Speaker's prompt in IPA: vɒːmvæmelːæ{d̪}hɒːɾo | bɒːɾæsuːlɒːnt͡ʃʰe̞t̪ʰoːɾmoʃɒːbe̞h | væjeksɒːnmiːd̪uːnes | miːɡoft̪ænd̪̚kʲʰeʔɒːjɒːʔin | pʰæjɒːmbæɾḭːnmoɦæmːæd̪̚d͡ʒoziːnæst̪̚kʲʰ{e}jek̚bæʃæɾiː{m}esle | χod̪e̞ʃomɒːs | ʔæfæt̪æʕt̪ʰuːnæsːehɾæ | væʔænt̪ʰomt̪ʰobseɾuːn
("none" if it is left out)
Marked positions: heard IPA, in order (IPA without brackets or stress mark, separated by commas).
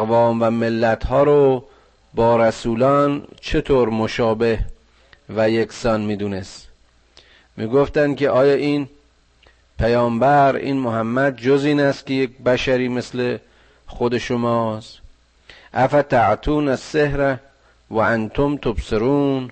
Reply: t̪, e, m